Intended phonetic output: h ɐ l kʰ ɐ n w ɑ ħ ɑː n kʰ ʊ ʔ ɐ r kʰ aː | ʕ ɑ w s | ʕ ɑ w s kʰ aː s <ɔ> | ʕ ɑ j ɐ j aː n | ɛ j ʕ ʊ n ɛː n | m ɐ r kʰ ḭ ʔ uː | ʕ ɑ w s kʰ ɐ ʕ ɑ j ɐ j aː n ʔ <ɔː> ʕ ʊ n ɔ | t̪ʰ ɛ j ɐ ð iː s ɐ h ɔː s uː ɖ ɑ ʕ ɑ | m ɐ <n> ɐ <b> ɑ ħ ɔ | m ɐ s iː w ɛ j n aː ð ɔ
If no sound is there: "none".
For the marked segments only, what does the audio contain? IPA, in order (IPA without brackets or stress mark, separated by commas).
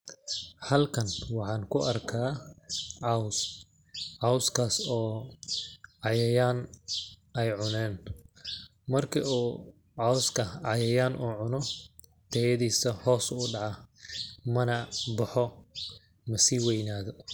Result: ɔː, uː, n, b